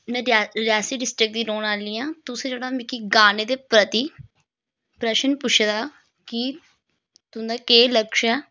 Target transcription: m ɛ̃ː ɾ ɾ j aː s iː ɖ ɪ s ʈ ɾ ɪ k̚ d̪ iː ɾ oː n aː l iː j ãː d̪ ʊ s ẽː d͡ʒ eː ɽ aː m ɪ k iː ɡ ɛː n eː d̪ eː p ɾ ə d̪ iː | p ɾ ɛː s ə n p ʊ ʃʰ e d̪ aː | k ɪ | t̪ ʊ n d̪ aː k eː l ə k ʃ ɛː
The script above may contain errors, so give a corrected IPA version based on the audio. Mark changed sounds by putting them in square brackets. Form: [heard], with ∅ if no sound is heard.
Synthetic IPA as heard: m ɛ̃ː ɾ ɾ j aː s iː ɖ ɪ s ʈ ɾ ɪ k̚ d̪ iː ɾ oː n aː l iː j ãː [t̪] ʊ s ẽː d͡ʒ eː ɽ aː m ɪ k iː ɡ [aː] n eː d̪ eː p ɾ ə [t̪] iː | p ɾ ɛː [ʃ] ə n p ʊ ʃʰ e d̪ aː | k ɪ | t̪ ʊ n d̪ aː k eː l ə k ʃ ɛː

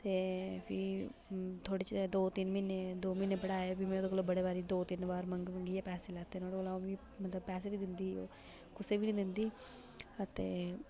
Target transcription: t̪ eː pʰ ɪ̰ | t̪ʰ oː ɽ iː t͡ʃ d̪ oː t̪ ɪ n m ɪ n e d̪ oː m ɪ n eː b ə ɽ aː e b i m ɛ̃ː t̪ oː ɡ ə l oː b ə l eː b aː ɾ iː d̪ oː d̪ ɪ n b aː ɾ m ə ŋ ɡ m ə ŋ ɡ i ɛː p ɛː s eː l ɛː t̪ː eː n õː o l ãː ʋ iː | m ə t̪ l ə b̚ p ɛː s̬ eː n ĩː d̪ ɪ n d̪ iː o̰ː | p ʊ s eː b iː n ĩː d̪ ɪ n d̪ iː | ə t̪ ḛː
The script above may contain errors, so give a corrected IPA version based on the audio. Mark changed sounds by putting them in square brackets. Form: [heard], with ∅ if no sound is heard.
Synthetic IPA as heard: t̪ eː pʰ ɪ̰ | t̪ʰ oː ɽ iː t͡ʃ d̪ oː t̪ ɪ n m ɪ n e d̪ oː m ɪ n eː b ə ɽ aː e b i m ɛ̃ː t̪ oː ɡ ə l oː b ə [ɽ] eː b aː ɾ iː d̪ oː [t̪] ɪ n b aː ɾ m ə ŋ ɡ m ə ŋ ɡ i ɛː p ɛː s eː l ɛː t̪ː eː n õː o l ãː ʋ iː | m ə t̪ l ə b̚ p ɛː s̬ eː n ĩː d̪ ɪ n d̪ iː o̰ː | [k] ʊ s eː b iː n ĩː d̪ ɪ n d̪ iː | ə t̪ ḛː

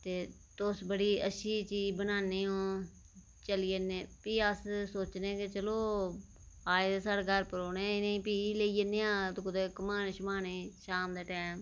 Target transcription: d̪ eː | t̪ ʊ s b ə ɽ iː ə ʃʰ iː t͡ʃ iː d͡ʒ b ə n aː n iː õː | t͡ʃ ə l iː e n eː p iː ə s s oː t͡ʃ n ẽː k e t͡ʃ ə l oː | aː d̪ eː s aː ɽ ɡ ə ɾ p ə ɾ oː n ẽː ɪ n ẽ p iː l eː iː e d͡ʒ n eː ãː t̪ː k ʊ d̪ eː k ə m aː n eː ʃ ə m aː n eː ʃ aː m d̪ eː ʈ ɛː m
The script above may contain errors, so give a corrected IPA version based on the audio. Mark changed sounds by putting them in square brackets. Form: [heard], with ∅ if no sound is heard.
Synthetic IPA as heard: [t̪] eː | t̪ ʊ s b ə ɽ iː ə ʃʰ iː t͡ʃ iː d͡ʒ b ə n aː n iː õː | t͡ʃ ə l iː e n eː p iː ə s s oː t͡ʃ n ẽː k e t͡ʃ ə l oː | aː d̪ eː s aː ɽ ɡ ə ɾ p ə ɾ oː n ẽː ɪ n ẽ p iː l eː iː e [∅] n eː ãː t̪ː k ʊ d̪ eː k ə m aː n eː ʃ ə m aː n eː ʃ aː m d̪ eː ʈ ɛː m

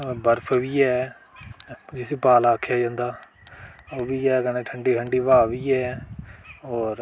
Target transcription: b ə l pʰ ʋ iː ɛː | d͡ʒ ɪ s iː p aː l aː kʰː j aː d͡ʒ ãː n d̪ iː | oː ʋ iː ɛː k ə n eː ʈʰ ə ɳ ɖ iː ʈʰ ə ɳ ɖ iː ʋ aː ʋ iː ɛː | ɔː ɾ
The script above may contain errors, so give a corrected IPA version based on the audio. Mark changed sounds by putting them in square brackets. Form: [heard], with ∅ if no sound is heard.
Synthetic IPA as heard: b ə [ɾ] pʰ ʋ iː ɛː | d͡ʒ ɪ s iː p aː l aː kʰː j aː d͡ʒ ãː n d̪ [aː] | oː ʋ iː ɛː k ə n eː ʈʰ ə ɳ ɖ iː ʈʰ ə ɳ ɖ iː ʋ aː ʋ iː ɛː | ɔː ɾ

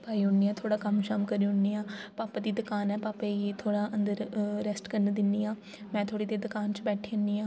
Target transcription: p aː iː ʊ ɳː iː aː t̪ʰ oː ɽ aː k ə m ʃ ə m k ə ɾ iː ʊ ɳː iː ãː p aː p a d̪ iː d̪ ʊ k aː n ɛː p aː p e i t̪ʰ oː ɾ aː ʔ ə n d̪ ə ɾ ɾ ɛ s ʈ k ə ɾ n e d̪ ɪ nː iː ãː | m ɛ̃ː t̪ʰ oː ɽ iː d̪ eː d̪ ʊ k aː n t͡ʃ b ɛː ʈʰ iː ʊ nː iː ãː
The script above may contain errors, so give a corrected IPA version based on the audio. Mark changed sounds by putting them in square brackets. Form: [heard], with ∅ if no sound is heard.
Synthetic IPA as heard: p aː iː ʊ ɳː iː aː t̪ʰ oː ɽ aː k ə m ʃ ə m k ə ɾ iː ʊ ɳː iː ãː p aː p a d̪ iː d̪ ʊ k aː n ɛː p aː p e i t̪ʰ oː [ɽ] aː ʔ ə n d̪ ə ɾ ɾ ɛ s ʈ k ə ɾ n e d̪ ɪ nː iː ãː | m ɛ̃ː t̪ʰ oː ɽ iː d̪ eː d̪ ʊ k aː n t͡ʃ b ɛː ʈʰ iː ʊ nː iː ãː

